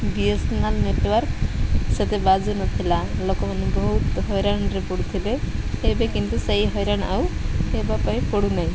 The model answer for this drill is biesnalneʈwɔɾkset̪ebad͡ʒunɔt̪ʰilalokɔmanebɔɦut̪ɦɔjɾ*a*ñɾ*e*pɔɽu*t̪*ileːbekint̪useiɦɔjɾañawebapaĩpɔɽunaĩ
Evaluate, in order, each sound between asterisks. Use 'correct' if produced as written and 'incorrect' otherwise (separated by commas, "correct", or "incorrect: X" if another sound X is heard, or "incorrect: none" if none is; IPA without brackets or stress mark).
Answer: correct, correct, incorrect: t̪ʰ